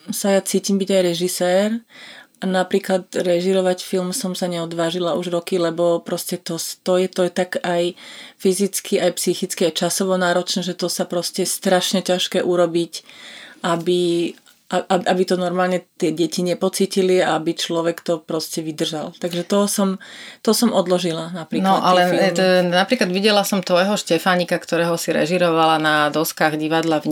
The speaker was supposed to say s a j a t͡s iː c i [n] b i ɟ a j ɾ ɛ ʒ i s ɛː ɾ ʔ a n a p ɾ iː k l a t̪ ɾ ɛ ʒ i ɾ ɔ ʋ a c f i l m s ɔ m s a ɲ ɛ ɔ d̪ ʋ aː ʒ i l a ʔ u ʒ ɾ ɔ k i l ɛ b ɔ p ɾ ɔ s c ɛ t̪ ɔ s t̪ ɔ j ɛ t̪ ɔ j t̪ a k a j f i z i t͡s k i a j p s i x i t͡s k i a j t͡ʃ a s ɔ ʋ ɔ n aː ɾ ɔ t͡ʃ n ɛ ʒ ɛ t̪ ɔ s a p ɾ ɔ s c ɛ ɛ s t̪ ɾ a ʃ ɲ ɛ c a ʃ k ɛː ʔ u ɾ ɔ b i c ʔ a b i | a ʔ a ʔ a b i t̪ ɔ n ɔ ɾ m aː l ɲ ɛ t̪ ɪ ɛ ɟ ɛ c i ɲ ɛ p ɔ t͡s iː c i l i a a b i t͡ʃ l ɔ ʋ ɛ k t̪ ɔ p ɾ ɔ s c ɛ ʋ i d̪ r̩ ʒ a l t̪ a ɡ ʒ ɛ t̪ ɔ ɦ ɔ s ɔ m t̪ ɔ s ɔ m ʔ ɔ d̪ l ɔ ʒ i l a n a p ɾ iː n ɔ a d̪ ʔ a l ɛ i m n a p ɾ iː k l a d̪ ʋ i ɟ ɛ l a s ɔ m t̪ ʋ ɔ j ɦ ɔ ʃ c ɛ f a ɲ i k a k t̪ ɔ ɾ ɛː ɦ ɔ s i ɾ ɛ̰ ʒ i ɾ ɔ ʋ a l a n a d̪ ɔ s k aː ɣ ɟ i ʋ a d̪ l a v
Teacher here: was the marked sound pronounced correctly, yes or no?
no